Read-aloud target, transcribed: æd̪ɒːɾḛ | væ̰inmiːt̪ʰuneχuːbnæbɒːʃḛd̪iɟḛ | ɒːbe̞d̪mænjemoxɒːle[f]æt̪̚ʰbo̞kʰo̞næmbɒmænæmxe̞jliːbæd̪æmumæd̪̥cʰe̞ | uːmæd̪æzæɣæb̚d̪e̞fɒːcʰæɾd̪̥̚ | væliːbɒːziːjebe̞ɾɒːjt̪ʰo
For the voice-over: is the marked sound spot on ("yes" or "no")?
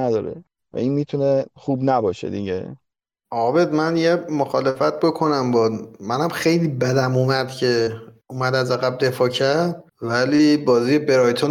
yes